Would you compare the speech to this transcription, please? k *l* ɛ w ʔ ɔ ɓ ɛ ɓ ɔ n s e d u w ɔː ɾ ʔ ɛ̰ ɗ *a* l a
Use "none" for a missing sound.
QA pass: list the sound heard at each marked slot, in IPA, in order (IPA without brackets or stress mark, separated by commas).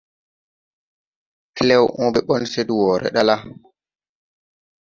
l, a